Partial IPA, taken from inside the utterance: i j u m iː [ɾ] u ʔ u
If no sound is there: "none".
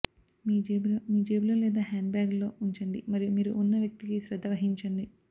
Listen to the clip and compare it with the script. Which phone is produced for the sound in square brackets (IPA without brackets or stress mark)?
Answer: ɾ